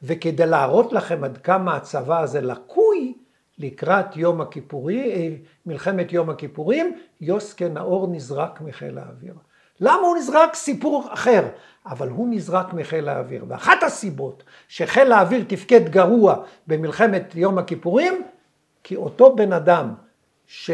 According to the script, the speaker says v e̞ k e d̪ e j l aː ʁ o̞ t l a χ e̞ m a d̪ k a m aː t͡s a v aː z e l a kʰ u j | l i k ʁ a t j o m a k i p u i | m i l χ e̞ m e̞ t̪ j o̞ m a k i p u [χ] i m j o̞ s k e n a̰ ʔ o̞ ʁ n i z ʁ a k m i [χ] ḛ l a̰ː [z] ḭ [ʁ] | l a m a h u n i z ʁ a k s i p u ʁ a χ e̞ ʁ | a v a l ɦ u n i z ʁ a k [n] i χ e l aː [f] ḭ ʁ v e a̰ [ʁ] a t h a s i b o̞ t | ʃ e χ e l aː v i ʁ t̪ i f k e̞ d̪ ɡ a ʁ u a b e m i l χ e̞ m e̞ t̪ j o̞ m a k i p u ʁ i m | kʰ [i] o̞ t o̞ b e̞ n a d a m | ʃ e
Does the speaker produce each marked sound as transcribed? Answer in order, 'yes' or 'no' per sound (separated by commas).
no, yes, no, yes, no, no, no, yes